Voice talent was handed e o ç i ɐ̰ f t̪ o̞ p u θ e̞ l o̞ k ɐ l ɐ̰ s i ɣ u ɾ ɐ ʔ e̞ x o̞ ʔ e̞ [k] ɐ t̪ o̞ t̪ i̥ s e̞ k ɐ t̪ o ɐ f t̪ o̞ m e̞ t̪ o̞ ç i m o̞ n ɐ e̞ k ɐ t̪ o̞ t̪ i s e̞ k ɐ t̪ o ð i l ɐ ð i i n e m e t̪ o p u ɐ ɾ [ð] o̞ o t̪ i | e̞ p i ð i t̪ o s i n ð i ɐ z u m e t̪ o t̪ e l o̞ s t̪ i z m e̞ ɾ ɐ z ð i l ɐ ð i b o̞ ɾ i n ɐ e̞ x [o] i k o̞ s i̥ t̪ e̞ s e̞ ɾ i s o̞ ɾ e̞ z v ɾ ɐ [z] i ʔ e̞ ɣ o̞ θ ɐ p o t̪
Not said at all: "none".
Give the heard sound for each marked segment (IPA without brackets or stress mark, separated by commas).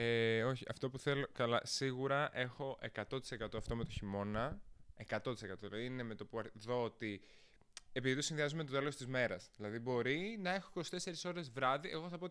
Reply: k, ð, o, ð